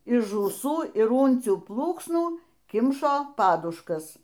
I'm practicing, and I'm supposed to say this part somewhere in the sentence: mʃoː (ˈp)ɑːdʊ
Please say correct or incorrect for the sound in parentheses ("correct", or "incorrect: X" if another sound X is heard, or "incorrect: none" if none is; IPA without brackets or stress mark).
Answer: correct